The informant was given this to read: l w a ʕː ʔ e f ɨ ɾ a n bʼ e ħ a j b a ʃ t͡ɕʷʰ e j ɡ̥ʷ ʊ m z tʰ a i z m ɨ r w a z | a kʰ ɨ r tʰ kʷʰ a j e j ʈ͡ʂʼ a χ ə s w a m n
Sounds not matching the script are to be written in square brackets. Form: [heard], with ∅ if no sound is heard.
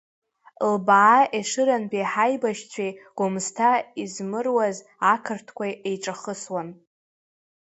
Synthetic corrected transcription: l [b] a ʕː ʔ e [ʂ] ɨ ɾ a n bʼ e ħ a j b a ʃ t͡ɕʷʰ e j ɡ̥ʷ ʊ m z tʰ a i z m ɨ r w a z | a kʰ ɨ r tʰ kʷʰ a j e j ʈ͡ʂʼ a χ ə s w a [∅] n